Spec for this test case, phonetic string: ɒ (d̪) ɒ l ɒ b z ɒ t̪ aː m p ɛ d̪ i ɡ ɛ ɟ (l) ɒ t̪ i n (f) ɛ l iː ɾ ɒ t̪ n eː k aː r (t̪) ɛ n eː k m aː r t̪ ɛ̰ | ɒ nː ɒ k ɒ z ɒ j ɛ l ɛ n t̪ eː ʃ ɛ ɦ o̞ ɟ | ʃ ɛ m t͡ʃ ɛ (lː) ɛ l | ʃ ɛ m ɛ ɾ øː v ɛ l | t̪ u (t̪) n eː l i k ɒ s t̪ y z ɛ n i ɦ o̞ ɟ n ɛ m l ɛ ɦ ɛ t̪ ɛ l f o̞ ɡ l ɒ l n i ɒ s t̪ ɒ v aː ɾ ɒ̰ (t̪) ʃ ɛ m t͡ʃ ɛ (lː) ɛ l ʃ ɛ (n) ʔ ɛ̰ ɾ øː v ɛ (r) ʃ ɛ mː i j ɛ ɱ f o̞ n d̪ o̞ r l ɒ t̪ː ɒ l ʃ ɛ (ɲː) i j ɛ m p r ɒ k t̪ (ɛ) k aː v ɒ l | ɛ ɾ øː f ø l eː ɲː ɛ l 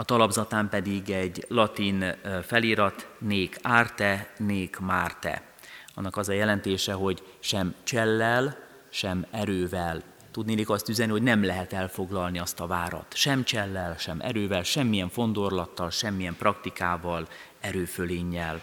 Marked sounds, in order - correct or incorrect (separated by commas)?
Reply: incorrect, correct, correct, correct, correct, incorrect, correct, correct, incorrect, incorrect, incorrect, incorrect